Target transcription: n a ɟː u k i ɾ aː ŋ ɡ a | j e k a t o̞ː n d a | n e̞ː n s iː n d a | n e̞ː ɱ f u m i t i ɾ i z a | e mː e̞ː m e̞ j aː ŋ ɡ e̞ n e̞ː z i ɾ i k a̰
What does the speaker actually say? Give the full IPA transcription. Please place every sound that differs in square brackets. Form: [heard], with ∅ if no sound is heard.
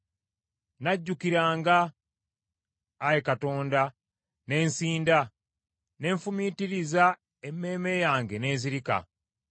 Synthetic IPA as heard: n a ɟː u k i ɾ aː ŋ ɡ a | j e k a t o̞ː n d a | n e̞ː n s iː n d a | n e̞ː ɱ f u m i t i ɾ i z a | e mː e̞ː m e̞ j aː ŋ ɡ e̞ n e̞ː z i ɾ i k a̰

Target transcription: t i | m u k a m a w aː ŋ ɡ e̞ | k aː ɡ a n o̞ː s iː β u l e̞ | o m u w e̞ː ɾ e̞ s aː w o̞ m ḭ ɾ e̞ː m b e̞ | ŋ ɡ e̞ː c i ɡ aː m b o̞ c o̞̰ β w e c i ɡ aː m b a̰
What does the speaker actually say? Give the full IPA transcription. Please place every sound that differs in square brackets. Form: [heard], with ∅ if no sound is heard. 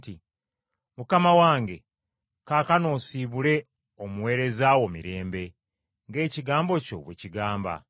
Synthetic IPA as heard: t i | m u k a m a w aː ŋ ɡ e̞ | k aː [k] a n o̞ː s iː β u l e̞ | o m u w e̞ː ɾ e̞ [z] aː w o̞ m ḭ ɾ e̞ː m b e̞ | ŋ ɡ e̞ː c i ɡ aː m b o̞ c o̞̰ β w e c i ɡ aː m b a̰

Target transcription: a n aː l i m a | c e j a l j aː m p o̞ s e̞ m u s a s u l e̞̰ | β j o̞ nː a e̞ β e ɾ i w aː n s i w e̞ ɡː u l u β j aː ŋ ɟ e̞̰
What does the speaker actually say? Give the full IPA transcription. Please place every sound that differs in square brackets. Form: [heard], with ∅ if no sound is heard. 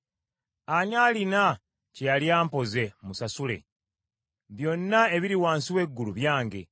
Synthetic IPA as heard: a [ɲ] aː l i [n] a | c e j a l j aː m p o̞ [z] e̞ m u s a s u l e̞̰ | β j o̞ nː a e̞ β [i] ɾ i w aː n s i w e̞ ɡː u l u β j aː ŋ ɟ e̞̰

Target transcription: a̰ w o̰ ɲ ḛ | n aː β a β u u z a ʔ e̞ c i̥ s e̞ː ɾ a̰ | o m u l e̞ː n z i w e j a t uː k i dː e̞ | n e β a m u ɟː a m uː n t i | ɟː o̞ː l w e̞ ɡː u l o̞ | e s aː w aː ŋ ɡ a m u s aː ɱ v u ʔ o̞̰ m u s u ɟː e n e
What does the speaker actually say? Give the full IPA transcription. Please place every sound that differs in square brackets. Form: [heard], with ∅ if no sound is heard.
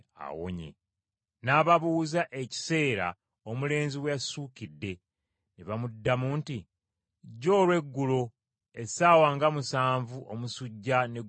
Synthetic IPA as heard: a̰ w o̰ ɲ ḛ | n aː β a β u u z a ʔ e̞ c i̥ s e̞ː ɾ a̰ | o m u l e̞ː n z i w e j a [s] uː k i dː e̞ | n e β a m u [dː] a m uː n t i | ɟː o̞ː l w e̞ ɡː u l o̞ | e s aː w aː ŋ ɡ a m u s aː ɱ v u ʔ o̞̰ m u s u ɟː [a] n e

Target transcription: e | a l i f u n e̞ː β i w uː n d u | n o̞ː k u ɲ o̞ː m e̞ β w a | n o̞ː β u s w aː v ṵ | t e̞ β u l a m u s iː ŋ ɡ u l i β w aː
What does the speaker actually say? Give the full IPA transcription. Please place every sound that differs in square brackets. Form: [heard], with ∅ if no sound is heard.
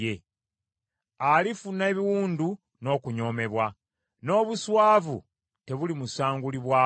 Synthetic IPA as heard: e | a l i f u n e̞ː β i w uː n d u | n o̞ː k u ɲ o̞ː m e̞ β w a | n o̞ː β u s w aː v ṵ | t e̞ β u l [i] m u s [aː] ŋ ɡ u l i β w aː

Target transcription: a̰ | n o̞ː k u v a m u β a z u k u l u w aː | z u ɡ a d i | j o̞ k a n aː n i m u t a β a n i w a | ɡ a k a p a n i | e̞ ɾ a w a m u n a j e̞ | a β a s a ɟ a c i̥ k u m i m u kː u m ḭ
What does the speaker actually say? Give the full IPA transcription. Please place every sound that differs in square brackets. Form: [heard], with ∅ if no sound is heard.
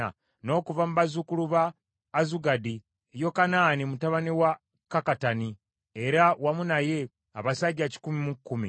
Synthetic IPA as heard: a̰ | n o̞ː k u v a m u β a z u k u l u [β] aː | z u ɡ a d i | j o̞ k a n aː n i m u t a β a n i w a | [k] a k a [t] a n i | e̞ ɾ a w a m u n a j e̞ | a β a s a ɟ a c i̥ k u m i m u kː u m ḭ

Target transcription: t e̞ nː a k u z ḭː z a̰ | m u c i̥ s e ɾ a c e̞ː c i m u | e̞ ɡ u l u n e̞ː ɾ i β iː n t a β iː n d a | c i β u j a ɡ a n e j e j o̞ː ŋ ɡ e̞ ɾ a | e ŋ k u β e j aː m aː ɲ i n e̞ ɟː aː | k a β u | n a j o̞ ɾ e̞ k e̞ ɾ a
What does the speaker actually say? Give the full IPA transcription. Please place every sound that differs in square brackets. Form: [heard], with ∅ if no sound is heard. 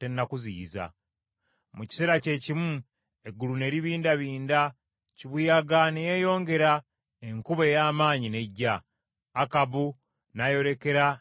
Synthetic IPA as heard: t e̞ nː a k u z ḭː z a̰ | m u c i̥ s e ɾ a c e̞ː c i m u | e̞ ɡ u l u n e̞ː ɾ i β iː n [d] a β iː n d a | c i β u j a ɡ a n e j e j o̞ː ŋ ɡ e̞ ɾ a | e ŋ k u β e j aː m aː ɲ i n e̞ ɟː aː | k a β u | n a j o̞ ɾ e̞ k e̞ ɾ a

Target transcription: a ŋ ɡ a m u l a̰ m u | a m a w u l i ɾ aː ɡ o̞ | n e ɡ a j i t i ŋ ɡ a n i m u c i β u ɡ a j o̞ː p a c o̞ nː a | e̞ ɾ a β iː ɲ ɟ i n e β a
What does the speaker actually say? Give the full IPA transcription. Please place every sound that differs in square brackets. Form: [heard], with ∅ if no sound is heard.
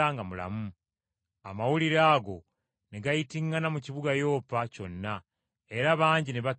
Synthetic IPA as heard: a ŋ ɡ a m u l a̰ m u | a m a w u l i ɾ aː ɡ o̞ | n e ɡ a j i t i ŋ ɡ a n [a] m u c i β u ɡ a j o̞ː p a c o̞ nː a | e̞ ɾ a β [aː] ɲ ɟ i n e β a

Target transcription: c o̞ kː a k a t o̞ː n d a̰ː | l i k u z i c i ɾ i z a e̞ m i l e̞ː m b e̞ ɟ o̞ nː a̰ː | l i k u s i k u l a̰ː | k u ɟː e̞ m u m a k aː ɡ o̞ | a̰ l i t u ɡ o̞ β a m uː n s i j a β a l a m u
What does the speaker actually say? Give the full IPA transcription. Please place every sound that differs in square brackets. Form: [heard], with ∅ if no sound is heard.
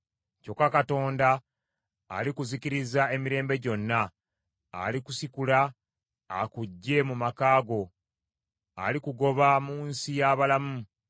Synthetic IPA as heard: c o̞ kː a k a t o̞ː n d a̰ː | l i k u z i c i ɾ i z a e̞ m i [ɾ] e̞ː m b e̞ ɟ o̞ nː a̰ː | l i k u s i k u l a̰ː | k u ɟː e̞ m u m a k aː ɡ o̞ | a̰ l i [k] u ɡ o̞ β a m uː n s i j a β a l a m u

